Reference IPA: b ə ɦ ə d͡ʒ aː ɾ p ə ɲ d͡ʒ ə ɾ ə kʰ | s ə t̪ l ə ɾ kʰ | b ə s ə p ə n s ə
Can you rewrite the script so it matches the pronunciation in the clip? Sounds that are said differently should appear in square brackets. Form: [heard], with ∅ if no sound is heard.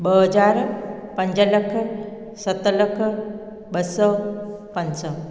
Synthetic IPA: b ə ɦ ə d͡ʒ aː ɾ p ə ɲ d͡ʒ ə [l] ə kʰ | s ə t̪ l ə [∅] kʰ | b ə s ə p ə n s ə